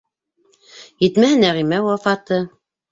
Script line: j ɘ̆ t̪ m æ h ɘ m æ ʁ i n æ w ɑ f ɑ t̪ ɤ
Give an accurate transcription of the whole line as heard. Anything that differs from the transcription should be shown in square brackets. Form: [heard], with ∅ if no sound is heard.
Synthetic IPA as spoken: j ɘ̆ t̪ m æ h ɘ [n] æ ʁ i [m] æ w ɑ f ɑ t̪ ɤ